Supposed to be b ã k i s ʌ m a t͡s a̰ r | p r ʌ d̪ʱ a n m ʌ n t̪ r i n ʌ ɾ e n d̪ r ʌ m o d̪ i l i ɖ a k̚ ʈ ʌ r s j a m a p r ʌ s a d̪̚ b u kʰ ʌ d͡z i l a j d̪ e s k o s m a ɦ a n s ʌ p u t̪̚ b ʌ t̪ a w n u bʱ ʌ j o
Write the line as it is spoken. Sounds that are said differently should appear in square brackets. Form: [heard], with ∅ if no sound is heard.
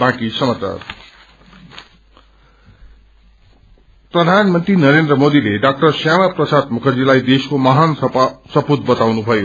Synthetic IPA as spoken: b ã k i s ʌ m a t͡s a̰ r | p r ʌ d̪ʱ a n m ʌ n t̪ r i n ʌ ɾ e n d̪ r ʌ m o d̪ i l [e] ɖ a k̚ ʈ ʌ r s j a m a p r ʌ s a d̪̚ [m] u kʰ ʌ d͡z i l a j d̪ e s k o [∅] m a ɦ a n s ʌ p u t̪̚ b ʌ t̪ a w n u bʱ ʌ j o